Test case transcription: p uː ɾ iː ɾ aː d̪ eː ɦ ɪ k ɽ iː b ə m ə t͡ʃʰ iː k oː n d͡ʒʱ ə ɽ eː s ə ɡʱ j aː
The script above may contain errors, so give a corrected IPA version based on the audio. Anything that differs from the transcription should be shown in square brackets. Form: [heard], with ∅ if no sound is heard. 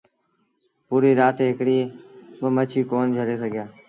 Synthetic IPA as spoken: p uː ɾ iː ɾ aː [t̪] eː ɦ ɪ k ɽ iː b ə m ə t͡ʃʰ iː k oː n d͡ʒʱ ə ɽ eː s ə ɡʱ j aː

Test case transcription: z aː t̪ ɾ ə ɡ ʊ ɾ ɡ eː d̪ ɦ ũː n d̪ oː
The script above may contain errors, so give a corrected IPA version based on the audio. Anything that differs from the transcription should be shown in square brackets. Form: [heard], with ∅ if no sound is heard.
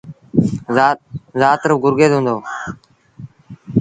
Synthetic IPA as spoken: z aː t̪ ɾ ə ɡ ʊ ɾ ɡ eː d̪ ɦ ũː n d̪ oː

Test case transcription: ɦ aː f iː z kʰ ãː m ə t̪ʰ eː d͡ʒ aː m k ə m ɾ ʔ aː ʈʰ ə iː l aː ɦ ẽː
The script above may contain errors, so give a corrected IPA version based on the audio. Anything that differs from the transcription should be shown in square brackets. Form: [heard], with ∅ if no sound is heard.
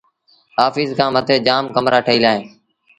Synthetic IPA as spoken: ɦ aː f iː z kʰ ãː m ə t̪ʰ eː d͡ʒ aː m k ə m ɾ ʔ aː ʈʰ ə iː l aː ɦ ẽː

